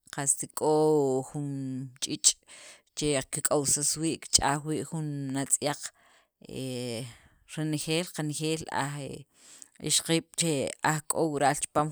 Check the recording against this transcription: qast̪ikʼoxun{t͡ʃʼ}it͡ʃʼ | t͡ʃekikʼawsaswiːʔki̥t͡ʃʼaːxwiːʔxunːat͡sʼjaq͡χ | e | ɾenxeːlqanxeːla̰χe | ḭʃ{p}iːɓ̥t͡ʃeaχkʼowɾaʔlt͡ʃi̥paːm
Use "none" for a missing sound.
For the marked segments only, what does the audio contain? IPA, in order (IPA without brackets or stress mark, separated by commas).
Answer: t͡ʃʼ, q